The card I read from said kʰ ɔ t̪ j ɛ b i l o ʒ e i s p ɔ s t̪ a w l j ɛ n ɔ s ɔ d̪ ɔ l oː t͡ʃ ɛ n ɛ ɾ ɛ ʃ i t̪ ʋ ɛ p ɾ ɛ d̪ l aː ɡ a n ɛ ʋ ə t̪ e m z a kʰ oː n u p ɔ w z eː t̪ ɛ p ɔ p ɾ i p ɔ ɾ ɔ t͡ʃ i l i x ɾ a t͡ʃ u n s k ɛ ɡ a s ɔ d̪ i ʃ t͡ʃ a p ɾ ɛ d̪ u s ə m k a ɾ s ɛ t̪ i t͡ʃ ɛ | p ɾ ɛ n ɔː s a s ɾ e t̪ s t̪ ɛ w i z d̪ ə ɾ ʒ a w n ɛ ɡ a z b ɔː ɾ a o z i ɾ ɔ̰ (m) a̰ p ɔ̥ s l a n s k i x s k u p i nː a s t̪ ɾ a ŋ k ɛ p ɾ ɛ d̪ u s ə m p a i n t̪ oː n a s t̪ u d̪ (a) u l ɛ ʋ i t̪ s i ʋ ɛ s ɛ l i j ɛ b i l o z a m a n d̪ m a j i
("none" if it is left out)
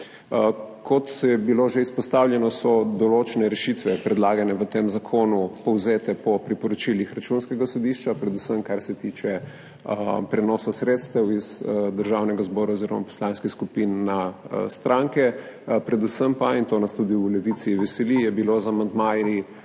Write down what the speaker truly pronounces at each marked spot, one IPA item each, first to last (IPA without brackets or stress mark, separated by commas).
m, i